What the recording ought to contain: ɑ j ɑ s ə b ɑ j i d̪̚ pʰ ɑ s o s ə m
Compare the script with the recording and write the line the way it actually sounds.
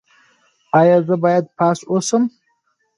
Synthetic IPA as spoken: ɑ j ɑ z ə b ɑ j a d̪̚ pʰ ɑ s o s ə m